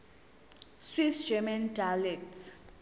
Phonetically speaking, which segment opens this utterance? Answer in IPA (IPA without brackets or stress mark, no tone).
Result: s